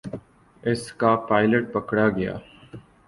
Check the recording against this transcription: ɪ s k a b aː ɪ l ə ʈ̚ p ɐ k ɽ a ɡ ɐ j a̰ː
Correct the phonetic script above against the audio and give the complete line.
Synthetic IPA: ɪ s k a p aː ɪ l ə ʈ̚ p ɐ k ɽ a ɡ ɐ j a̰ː

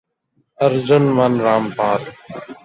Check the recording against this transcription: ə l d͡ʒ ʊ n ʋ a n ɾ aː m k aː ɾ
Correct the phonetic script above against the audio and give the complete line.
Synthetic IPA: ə ɾ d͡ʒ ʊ n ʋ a n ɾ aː m p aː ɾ

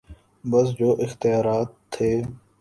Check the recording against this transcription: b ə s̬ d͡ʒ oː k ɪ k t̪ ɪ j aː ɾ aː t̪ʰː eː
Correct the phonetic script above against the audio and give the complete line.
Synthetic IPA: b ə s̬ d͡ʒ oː ʔ ɪ x t̪ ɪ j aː ɾ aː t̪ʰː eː

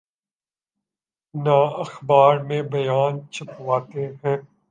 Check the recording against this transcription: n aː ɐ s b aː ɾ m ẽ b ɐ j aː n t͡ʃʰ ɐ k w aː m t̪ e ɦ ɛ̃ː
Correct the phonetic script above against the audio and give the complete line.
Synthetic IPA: n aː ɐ x b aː ɾ m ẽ b ɐ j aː n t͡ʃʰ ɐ p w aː t̪ e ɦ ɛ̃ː

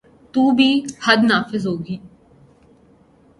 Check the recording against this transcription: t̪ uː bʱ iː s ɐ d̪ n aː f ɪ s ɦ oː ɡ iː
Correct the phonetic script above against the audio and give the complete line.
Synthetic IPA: t̪ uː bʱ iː h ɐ d̪ n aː f ɪ z ɦ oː ɡ iː

